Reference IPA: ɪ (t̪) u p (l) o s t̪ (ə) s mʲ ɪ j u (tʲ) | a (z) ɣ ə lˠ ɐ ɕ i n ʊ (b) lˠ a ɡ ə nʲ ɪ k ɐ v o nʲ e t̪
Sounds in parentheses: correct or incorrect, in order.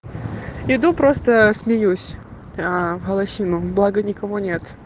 incorrect: d̪, incorrect: ɾ, correct, incorrect: sʲ, incorrect: v, correct

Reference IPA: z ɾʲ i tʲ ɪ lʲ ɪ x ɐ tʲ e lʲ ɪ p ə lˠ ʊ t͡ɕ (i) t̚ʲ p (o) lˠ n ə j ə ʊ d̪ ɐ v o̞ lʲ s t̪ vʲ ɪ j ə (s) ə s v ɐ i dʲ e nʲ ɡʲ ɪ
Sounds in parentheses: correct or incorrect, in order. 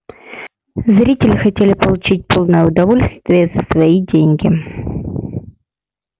correct, correct, incorrect: z

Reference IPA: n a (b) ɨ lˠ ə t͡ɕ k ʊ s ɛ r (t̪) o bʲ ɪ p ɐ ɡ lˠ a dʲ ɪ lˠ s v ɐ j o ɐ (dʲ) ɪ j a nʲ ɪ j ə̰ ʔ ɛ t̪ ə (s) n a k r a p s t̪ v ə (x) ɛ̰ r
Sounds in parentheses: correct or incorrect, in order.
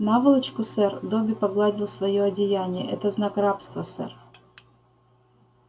incorrect: v, incorrect: d̪, correct, incorrect: z, incorrect: s

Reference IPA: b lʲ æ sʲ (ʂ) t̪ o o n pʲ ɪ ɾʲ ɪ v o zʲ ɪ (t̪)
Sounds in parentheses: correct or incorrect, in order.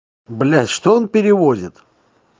correct, correct

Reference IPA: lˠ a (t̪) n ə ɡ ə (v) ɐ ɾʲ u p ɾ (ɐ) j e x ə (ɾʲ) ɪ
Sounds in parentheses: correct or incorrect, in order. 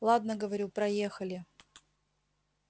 incorrect: d̪, correct, correct, incorrect: lʲ

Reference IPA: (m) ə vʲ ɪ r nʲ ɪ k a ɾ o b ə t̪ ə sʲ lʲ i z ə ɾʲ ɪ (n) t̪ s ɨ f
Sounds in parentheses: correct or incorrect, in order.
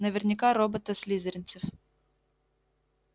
incorrect: n, correct

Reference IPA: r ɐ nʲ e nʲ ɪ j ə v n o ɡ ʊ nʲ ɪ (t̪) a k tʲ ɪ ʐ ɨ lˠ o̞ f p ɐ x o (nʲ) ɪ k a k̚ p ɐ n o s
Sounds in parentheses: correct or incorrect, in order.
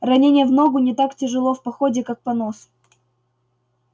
correct, incorrect: dʲ

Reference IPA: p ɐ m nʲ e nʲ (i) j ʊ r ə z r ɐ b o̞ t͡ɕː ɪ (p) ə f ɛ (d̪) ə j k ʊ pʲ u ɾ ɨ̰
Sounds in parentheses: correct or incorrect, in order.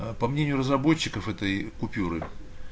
incorrect: ɪ, incorrect: k, incorrect: t̪

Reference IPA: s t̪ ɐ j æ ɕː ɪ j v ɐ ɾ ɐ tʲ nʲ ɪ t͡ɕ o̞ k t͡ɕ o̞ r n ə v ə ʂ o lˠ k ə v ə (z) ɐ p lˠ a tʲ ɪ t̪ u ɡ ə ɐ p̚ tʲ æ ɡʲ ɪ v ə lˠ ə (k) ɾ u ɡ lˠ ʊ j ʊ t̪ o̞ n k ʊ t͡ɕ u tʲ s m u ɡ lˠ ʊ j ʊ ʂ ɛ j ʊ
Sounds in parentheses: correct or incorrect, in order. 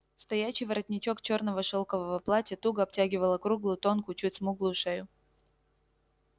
incorrect: v, correct

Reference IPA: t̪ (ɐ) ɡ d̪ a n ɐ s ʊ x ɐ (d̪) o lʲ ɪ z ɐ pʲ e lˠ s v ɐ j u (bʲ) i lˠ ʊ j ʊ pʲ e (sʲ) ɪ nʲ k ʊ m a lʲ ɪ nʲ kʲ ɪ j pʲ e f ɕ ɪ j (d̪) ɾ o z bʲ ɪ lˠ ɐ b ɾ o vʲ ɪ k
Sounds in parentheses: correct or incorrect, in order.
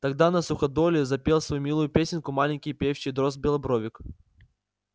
correct, correct, incorrect: mʲ, correct, correct

